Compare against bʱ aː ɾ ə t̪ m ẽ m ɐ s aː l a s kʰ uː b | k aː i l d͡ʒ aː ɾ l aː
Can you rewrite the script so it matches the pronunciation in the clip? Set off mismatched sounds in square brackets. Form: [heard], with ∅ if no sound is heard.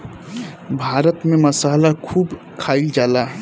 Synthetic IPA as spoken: bʱ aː ɾ ə t̪ m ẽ m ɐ s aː l a [∅] kʰ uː b | [kʰ] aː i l d͡ʒ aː [∅] l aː